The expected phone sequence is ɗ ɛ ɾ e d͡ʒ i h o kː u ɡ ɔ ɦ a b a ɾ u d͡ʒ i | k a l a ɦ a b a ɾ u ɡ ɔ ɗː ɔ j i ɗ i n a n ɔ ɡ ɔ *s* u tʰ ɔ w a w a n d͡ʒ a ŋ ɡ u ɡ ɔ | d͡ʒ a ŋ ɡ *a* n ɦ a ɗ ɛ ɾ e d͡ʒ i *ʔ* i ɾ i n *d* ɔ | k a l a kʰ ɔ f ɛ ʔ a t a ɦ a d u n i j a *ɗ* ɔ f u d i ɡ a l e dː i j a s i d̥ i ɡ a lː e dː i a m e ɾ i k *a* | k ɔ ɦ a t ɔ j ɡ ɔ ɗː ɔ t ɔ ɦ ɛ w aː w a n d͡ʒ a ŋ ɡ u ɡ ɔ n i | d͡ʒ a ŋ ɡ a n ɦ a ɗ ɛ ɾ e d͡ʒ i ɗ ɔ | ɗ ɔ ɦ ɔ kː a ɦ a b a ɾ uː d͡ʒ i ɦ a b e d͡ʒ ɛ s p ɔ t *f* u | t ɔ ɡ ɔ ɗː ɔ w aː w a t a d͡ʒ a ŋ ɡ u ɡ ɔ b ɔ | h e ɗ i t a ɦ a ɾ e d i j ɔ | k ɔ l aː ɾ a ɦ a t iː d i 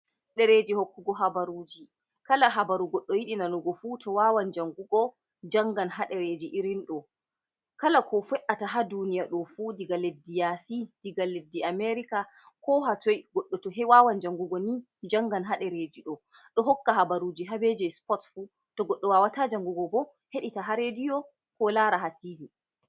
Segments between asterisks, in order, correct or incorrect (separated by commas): incorrect, correct, correct, incorrect, correct, correct, correct